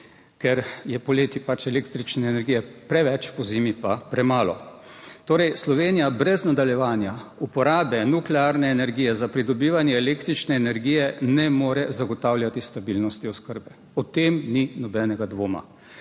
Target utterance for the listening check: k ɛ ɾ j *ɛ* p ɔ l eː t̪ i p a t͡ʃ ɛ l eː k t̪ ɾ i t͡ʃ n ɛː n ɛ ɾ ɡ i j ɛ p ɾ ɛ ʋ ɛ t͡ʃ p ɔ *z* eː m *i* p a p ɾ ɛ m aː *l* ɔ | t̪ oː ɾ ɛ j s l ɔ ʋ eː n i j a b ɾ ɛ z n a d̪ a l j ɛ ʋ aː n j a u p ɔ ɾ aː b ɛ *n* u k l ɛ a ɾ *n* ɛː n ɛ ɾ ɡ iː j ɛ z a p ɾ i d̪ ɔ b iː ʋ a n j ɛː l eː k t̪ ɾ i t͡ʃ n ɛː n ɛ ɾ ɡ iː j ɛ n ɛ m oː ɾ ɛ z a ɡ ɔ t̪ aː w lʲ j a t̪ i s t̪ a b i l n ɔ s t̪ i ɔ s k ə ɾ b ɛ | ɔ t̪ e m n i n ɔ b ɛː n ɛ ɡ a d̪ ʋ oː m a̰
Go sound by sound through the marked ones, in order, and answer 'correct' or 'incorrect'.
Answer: correct, correct, correct, correct, correct, correct

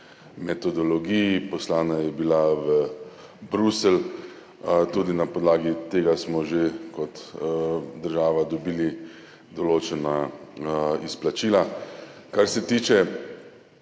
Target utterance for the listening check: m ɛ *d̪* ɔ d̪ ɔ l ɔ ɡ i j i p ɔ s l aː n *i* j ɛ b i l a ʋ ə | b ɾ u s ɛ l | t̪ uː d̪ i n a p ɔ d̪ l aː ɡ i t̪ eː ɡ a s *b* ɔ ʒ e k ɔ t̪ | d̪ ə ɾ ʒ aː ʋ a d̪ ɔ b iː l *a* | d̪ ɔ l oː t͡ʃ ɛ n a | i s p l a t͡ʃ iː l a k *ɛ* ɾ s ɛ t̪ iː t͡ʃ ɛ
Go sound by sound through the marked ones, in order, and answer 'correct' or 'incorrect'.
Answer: incorrect: t̪, incorrect: a, incorrect: m, incorrect: i, incorrect: a

